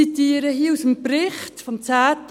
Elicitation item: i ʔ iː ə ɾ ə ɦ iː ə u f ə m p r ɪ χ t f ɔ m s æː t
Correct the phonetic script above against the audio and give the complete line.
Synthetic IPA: i t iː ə ɾ ə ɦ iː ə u s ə m p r ɪ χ t f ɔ m t͡s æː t